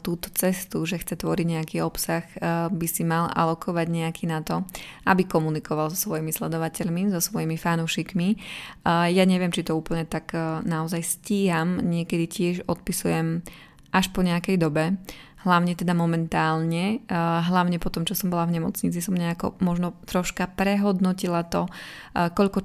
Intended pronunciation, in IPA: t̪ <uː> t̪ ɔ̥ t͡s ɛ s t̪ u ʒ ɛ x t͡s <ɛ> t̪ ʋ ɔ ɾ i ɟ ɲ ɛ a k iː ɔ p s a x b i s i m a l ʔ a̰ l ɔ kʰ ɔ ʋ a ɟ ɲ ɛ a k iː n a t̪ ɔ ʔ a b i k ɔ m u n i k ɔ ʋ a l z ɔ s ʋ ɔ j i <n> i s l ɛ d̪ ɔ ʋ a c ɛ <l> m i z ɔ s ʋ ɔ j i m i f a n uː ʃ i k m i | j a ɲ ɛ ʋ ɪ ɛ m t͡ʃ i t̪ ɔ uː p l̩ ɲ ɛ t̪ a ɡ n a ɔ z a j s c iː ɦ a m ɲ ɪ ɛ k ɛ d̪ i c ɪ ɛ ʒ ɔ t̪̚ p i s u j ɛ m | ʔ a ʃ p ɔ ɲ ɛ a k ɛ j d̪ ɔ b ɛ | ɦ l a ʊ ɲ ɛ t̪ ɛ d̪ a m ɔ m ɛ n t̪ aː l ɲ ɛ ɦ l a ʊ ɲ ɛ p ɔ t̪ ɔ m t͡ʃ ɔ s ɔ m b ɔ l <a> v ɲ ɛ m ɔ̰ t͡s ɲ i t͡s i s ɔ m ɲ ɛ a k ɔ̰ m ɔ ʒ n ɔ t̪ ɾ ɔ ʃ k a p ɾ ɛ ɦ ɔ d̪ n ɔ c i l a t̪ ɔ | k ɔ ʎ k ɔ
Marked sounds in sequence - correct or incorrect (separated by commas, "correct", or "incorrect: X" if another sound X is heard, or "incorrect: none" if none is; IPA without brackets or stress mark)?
correct, correct, incorrect: m, incorrect: ʎ, correct